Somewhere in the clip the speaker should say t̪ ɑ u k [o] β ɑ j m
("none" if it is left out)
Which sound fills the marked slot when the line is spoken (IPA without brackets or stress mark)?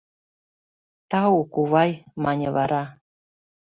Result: u